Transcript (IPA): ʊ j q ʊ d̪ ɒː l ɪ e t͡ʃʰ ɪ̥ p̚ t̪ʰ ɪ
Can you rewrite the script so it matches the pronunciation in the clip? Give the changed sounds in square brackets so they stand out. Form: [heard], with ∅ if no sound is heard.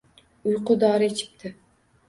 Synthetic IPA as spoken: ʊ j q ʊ d̪ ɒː [ɾ] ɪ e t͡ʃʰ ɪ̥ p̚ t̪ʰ ɪ